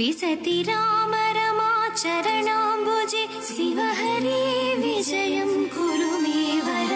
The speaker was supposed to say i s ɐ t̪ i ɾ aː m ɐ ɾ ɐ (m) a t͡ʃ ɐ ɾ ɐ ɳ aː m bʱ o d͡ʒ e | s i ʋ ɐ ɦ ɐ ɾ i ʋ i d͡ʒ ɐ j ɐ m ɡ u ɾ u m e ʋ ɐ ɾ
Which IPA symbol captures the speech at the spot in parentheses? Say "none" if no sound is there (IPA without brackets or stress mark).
m